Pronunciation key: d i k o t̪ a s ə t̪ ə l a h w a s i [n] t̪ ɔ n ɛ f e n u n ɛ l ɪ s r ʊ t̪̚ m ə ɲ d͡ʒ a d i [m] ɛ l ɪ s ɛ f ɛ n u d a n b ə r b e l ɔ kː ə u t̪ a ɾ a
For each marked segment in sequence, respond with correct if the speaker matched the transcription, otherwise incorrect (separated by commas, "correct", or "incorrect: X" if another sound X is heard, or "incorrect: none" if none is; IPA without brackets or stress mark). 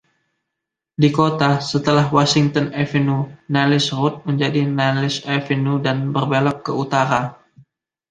incorrect: ŋ, incorrect: n